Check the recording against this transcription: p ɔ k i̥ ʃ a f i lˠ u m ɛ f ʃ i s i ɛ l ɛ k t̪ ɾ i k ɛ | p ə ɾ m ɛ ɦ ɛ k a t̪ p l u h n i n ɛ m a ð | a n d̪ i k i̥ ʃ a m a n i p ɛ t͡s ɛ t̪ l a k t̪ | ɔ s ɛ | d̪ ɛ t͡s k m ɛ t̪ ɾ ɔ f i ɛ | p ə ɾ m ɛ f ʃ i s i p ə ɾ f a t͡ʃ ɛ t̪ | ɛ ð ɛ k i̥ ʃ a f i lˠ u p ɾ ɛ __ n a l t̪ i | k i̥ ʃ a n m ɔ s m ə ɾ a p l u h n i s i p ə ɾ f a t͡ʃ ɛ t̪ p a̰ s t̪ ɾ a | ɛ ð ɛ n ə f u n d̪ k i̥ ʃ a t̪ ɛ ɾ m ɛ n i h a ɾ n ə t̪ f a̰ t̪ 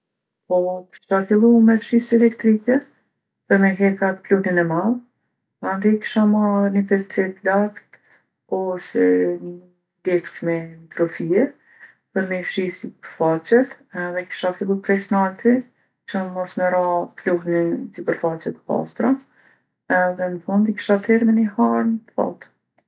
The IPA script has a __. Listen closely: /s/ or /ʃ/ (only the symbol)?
s